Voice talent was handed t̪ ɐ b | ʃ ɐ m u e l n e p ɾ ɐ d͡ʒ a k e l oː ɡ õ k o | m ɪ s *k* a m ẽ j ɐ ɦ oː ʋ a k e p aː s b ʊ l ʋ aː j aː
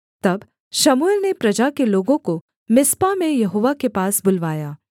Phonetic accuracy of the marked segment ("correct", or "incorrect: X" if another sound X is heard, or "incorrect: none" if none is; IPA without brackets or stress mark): incorrect: p